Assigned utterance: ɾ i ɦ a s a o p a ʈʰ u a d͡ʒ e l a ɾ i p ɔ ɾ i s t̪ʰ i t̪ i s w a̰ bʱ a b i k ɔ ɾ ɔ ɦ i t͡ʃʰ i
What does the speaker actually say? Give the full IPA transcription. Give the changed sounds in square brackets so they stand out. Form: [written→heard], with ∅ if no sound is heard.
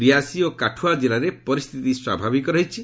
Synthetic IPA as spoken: ɾ i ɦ a s [a→i] o [p→k] a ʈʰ u a d͡ʒ e l a ɾ [i→e] p ɔ ɾ i s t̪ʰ i t̪ i s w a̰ bʱ a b i k ɔ ɾ ɔ ɦ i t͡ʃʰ i